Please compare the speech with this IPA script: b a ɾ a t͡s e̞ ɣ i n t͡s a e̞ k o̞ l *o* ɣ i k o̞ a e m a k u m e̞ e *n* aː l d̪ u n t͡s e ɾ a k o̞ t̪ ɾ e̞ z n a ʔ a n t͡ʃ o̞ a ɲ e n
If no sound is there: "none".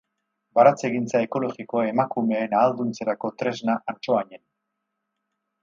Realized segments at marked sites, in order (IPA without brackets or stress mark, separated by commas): o, n